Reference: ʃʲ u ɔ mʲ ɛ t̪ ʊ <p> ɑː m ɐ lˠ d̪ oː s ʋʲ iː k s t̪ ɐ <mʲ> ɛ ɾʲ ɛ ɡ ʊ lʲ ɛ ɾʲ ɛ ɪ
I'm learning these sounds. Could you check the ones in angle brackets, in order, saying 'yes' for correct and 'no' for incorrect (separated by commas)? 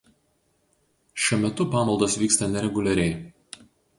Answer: yes, no